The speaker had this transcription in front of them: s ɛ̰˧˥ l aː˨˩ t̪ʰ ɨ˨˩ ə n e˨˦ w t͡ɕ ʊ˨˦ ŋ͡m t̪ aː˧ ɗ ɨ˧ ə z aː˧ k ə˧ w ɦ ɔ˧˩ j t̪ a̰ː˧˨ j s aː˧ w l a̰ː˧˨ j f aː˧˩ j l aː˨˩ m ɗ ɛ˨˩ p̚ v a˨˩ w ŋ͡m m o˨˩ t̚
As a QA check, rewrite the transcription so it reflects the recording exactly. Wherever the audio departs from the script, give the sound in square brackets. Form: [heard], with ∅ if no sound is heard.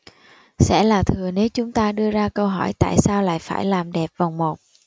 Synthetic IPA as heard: s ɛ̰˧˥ l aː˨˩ t̪ʰ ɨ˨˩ ə n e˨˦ w t͡ɕ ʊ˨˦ ŋ͡m t̪ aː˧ ɗ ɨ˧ ə z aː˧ k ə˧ w ɦ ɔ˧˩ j t̪ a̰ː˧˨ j s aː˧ w l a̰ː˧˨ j f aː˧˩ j l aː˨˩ m ɗ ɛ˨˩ p̚ v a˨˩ w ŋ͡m m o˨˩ t̚